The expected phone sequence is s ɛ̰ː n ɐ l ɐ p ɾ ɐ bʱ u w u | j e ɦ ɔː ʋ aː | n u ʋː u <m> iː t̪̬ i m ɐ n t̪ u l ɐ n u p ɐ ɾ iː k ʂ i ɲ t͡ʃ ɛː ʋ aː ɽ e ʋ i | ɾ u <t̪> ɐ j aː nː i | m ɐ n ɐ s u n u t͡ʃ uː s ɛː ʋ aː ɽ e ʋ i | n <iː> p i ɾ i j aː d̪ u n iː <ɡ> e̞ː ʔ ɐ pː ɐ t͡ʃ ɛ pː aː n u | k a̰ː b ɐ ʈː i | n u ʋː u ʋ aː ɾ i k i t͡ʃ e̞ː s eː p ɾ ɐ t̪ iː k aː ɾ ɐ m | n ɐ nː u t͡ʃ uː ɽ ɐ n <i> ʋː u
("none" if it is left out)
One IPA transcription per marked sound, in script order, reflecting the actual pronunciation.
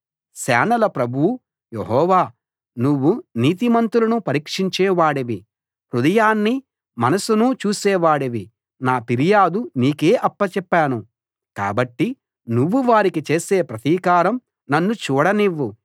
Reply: n, d̪, aː, k, i

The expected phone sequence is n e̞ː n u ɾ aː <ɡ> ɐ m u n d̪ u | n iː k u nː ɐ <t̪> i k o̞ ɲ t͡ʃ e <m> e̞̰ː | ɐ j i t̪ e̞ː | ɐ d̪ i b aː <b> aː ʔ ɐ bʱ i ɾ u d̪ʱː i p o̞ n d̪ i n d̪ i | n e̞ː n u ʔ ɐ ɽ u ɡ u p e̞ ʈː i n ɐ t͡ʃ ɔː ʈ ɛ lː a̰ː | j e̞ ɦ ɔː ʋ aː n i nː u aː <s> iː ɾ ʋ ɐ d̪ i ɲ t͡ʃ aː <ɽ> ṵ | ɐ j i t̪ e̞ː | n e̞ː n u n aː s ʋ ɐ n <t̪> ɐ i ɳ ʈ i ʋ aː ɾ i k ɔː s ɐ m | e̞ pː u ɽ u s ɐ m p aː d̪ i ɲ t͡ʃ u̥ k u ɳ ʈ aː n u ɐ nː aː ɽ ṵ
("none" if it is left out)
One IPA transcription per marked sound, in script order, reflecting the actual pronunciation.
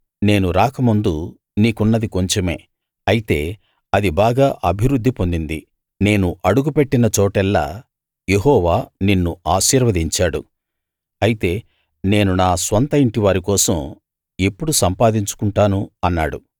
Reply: k, d̪, m, ɡ, ʃ, ɽ, t̪

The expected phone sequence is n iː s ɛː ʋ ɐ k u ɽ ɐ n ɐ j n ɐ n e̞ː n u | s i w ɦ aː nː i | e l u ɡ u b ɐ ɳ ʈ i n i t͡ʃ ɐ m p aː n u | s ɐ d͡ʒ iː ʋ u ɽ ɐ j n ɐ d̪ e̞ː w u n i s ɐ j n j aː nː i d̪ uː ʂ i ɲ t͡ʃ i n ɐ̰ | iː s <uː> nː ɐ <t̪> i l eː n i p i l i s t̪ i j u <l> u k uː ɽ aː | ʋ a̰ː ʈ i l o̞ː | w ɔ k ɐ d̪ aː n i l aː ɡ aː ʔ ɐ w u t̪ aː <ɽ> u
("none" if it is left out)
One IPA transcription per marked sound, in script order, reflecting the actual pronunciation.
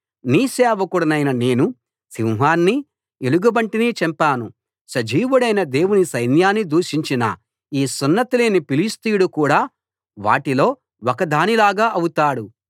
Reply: u, t̪, ɽ, ɽ

